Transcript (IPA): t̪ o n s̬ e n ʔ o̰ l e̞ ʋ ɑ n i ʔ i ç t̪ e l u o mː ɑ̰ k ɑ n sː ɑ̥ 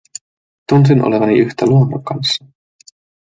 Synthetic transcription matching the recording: t̪ u n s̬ i n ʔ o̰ l e̞ ʋ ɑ n i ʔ y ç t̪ æ l u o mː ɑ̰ k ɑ n sː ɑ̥